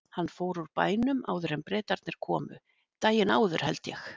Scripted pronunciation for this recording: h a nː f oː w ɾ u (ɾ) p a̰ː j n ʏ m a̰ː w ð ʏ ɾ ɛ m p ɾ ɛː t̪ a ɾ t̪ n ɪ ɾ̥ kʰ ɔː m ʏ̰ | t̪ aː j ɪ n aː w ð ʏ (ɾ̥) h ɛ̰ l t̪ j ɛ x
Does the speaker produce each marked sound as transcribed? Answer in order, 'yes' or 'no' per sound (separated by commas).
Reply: yes, yes